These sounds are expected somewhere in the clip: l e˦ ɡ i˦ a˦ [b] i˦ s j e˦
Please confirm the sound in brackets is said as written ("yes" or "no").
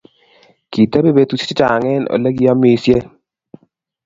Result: no